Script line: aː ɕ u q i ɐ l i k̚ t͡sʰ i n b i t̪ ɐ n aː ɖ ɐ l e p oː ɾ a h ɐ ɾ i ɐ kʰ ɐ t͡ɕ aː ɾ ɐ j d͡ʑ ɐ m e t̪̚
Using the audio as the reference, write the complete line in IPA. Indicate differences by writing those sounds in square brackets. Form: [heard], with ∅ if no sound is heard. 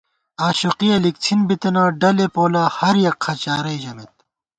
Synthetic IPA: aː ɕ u q i ɐ l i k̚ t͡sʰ i n b i t̪ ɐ n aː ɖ ɐ l e p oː [l] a h ɐ ɾ [j] ɐ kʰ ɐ t͡ɕ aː ɾ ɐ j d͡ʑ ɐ m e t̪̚